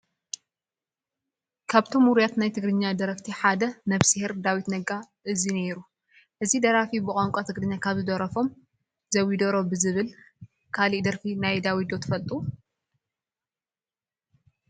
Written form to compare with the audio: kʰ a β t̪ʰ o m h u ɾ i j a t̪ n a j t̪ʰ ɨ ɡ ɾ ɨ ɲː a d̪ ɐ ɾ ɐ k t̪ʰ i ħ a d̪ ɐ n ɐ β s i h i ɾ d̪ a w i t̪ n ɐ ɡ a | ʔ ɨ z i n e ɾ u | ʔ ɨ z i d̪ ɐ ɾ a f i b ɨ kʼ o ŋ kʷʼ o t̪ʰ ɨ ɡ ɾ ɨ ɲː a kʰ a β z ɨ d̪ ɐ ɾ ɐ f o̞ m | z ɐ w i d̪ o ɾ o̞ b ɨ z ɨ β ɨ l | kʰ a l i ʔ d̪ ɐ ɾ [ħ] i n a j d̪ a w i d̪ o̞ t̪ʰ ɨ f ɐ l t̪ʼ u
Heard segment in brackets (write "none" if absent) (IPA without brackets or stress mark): f